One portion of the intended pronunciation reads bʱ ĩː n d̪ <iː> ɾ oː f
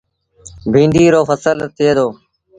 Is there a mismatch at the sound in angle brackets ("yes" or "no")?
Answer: no